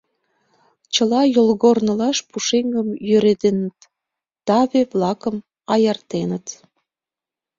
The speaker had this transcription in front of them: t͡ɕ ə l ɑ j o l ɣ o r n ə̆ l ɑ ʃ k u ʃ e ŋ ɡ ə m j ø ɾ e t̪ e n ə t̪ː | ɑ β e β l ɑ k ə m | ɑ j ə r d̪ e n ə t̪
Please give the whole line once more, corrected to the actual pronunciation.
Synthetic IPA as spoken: t͡ɕ ə l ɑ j o l ɣ o r n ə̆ l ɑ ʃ p u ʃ e ŋ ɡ ə m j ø ɾ e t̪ e n ə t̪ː | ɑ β e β l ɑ k ə m | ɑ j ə r t̪ e n ə t̪